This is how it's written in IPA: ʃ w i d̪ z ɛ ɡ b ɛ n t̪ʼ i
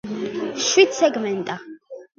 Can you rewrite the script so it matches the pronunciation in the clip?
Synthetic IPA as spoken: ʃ w i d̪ s ɛ ɡ m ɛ n t̪ʼ a